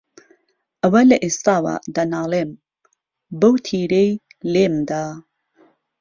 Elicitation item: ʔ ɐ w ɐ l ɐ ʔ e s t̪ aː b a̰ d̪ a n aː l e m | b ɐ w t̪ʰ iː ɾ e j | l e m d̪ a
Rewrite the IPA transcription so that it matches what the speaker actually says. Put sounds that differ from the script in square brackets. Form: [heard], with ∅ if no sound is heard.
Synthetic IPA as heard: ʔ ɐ w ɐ l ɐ ʔ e s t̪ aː [w] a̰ d̪ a n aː l e m | b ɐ w t̪ʰ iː ɾ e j | l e m d̪ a